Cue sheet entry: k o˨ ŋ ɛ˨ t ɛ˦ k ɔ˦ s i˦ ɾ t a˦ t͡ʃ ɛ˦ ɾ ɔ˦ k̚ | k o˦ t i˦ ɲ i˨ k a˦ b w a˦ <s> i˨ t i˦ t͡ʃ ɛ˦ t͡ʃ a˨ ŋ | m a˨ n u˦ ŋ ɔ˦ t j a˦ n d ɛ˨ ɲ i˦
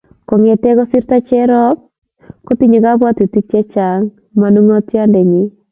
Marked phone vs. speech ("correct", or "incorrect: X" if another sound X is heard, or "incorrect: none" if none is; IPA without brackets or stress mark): incorrect: t